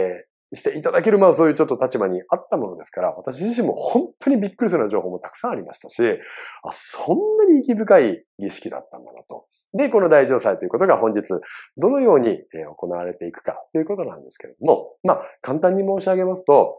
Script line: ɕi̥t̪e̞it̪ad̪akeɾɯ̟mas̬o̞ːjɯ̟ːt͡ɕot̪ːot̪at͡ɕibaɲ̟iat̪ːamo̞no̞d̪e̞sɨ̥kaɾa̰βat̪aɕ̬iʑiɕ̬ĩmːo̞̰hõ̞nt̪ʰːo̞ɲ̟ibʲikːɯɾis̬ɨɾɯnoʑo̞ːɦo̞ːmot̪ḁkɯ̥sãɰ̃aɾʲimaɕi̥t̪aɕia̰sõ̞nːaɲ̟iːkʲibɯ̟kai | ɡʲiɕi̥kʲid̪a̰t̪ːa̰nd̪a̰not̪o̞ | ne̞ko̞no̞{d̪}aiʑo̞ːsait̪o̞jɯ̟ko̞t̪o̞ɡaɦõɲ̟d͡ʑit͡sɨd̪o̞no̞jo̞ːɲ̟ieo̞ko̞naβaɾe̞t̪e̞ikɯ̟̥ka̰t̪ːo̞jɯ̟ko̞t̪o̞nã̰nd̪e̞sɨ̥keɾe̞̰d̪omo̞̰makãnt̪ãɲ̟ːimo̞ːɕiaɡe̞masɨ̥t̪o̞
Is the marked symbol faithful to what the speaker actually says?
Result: yes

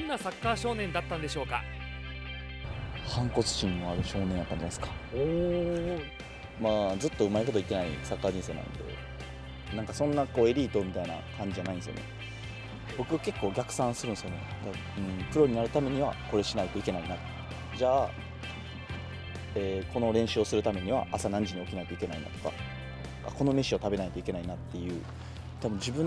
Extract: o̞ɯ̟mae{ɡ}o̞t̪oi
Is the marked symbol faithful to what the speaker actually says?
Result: no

